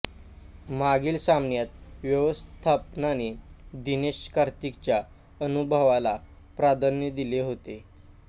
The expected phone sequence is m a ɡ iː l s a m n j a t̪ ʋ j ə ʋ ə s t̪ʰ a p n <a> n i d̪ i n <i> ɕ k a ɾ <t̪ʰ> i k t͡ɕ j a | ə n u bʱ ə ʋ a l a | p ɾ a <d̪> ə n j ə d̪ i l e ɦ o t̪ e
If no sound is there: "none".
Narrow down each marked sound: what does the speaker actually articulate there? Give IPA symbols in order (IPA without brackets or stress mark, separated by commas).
a, e, t̪, d̪